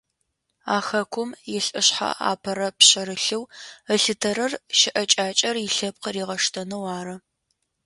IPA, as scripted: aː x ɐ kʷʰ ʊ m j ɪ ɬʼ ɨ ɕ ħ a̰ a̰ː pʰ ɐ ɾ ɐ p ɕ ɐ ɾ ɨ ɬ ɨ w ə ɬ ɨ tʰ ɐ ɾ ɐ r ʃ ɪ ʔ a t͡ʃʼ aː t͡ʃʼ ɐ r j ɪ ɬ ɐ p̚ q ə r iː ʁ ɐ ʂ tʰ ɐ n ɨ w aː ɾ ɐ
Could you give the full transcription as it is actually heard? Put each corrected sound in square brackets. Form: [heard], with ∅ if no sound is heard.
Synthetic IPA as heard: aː x ɐ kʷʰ ʊ m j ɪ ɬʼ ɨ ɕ ħ a̰ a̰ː pʰ ɐ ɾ ɐ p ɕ ɐ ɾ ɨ ɬ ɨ w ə ɬ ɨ tʰ ɐ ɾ ɐ r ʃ ɪ ʔ [ɐ] t͡ʃʼ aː t͡ʃʼ ɐ r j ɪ ɬ ɐ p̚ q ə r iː ʁ ɐ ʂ tʰ ɐ n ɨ w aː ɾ ɐ